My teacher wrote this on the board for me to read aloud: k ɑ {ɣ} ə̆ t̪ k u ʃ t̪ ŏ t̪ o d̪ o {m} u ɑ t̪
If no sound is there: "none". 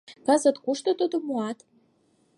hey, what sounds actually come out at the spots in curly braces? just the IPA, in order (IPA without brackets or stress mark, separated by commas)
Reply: z, m